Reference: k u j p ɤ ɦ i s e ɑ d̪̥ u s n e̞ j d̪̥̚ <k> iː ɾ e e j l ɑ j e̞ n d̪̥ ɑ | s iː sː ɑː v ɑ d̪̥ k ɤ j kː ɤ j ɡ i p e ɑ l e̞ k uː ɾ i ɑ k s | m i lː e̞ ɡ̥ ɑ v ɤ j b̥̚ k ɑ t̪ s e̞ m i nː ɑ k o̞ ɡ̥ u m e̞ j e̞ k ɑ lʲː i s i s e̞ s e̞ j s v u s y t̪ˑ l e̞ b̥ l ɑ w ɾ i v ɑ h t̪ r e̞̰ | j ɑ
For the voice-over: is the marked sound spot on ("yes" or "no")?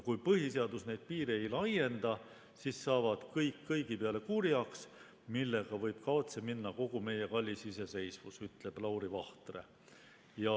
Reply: no